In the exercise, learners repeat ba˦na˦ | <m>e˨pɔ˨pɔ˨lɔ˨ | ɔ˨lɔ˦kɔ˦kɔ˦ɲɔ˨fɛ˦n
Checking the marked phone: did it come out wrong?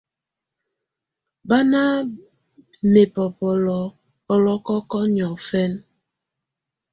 no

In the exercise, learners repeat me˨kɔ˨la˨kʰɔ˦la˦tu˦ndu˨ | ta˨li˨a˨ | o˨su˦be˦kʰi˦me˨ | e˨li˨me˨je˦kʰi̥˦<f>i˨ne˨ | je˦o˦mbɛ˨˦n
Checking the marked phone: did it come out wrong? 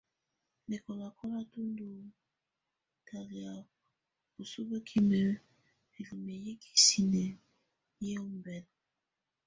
yes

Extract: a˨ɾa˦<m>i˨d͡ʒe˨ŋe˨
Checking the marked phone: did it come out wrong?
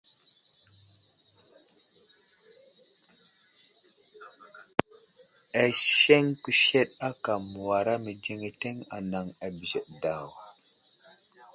no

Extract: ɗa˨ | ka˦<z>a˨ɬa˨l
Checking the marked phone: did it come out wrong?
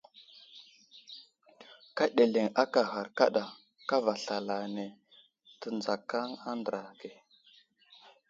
yes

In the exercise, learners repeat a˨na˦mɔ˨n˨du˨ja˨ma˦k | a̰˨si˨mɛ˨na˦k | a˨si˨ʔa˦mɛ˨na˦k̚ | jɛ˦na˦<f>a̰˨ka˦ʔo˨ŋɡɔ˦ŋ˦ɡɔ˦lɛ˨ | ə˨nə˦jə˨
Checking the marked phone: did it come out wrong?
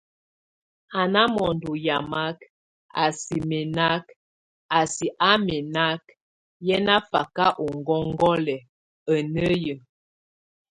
no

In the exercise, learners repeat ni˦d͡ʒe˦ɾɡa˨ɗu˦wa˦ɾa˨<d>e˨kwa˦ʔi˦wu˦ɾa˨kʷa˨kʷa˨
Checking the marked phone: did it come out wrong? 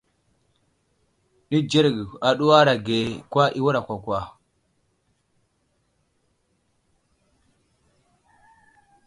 yes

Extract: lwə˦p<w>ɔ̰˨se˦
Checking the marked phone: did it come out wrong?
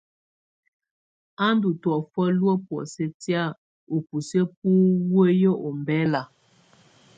no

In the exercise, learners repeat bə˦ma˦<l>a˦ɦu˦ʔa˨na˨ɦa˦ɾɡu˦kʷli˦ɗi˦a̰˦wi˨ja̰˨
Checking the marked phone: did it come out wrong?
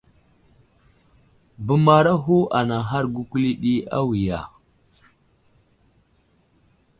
yes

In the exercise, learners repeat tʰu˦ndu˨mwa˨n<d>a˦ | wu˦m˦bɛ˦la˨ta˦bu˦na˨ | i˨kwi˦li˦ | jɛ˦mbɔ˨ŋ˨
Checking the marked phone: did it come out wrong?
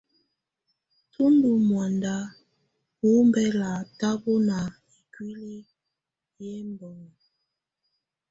no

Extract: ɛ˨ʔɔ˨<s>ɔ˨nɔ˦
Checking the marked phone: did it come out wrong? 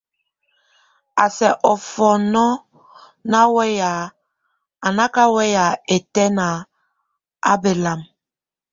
yes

